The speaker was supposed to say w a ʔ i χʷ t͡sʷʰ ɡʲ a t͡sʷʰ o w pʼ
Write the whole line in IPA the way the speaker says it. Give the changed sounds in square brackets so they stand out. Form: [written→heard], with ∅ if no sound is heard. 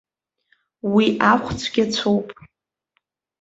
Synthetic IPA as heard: w [a→i] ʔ [i→a] χʷ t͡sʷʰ ɡʲ a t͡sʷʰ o w pʼ